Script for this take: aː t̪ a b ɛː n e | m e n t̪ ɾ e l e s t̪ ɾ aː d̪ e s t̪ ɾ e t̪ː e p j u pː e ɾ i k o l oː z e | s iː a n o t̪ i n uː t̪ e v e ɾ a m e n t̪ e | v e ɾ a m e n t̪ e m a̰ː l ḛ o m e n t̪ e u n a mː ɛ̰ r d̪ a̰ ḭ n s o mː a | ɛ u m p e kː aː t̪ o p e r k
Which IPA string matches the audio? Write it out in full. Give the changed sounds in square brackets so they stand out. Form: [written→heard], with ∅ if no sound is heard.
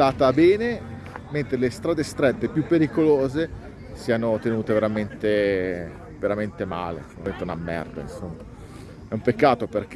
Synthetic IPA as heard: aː t̪ a b ɛː n e | m e n t̪ ɾ e l e s t̪ ɾ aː d̪ e s t̪ ɾ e t̪ː e p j u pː e ɾ i k o l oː z e | s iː a n o t̪ [i→e] n uː t̪ e v e ɾ a m e n t̪ e | v e ɾ a m e n t̪ e m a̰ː l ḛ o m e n t̪ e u n a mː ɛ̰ r d̪ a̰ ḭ n s o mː a | ɛ u m p e kː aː t̪ o p e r k

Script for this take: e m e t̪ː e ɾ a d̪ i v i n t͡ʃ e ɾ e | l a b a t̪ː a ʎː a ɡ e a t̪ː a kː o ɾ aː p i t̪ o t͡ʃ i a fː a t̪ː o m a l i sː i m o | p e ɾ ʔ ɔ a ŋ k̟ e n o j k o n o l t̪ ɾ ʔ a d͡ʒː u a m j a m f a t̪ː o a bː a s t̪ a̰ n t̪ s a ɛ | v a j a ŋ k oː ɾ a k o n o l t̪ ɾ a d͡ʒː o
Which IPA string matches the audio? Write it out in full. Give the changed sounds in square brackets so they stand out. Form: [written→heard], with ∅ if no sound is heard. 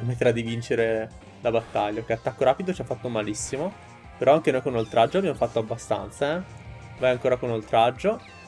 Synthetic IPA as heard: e m e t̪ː e ɾ a d̪ i v i n t͡ʃ e ɾ e | l a b a t̪ː a ʎː a [ɡ→k] e a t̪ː a kː o ɾ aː p i [t̪→d̪] o t͡ʃ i a fː a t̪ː o m a l i sː i m o | p e ɾ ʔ ɔ a ŋ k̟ e n o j k o n o l t̪ ɾ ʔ a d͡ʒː [u→o] a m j a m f a t̪ː o a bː a s t̪ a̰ n t̪ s a ɛ | v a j a ŋ k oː ɾ a k o n o l t̪ ɾ a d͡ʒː o

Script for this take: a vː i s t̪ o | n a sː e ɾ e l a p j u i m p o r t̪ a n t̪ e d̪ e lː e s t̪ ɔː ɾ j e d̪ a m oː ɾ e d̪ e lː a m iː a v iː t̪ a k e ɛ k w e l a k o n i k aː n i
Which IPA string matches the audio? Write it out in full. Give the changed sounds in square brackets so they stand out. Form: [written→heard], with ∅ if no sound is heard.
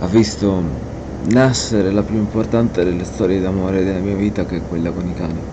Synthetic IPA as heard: a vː i s t̪ o | n a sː e ɾ e l a p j u i m p o r t̪ a n t̪ e d̪ e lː e s t̪ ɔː ɾ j e d̪ a m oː ɾ e d̪ e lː a m iː a v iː t̪ a k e ɛ k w e [l→lː] a k o n i k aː n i

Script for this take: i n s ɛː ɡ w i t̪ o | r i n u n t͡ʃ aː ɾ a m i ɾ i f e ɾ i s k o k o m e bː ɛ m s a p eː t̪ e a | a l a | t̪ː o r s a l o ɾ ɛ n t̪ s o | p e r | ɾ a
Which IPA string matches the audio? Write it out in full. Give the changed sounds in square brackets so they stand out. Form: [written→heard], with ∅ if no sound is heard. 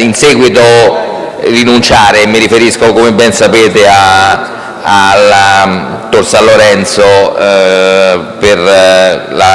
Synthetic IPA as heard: i n s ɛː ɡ w i t̪ o | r i n u n t͡ʃ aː ɾ [a→e] m i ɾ i f e ɾ i s k o k o m e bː ɛ [m→n] s a p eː t̪ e a | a l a | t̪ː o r s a l o ɾ ɛ n t̪ s o | p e r | [ɾ→l] a

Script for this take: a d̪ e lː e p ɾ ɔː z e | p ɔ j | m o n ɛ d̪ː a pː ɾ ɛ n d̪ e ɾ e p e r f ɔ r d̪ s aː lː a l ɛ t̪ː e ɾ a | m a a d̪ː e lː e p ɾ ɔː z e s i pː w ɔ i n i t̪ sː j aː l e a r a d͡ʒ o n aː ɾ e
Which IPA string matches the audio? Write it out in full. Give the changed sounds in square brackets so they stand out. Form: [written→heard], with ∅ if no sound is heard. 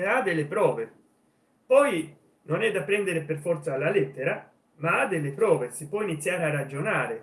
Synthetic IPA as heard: a d̪ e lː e p ɾ ɔː [z→v] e | p ɔ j | [m→n] o n ɛ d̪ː a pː ɾ ɛ n d̪ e ɾ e p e r f ɔ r [d̪→t̪] s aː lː a l ɛ t̪ː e ɾ a | m a a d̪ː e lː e p ɾ ɔː [z→v] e s i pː w ɔ i n i t̪ sː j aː [l→ɾ] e a r a d͡ʒ o n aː ɾ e

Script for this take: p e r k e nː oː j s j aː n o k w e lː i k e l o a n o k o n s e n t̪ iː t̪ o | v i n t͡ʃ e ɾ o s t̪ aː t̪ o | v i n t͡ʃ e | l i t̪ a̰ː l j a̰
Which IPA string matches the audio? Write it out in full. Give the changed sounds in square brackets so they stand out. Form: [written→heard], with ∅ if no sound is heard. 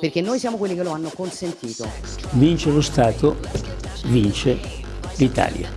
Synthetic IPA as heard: p e r k e nː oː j s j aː [n→m] o k w e lː i k e l o a [n→nː] o k o n s e n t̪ iː t̪ o | v i n t͡ʃ e [ɾ→l] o s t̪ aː t̪ o | v i n t͡ʃ e | l i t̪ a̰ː l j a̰

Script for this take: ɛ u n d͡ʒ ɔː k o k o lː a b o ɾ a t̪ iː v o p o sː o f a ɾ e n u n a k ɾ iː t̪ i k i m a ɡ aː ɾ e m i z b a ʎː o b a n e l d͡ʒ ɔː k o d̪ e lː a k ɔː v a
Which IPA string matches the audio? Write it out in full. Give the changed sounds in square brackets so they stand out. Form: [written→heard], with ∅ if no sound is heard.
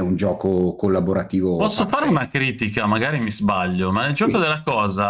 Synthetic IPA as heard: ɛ u n d͡ʒ ɔː k o k o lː a b o ɾ a t̪ iː v o p [o→ɔ] sː o f a ɾ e [n→∅] u n a k ɾ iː t̪ i k [i→a] m a ɡ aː ɾ [e→i] m i z b a ʎː o [b→m] a n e l d͡ʒ ɔː k o d̪ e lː a k ɔː [v→z] a

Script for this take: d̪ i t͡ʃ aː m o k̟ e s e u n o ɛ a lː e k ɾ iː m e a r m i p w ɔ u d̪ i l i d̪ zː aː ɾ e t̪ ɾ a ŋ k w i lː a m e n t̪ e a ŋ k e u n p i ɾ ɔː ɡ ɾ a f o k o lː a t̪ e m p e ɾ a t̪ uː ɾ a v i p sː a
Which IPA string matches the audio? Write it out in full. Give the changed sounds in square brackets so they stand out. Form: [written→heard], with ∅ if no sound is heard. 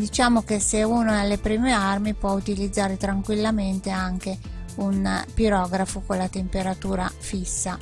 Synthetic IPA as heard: d̪ i t͡ʃ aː m o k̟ e s e u n o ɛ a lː e [k→p] ɾ iː m e a r m i p w ɔ u [d̪→t̪] i l i d̪ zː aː ɾ e t̪ ɾ a ŋ k w i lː a m e n t̪ e a ŋ k e u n p i ɾ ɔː ɡ ɾ a f o k o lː a t̪ e m p e ɾ a t̪ uː ɾ a [v→f] i [p→∅] sː a

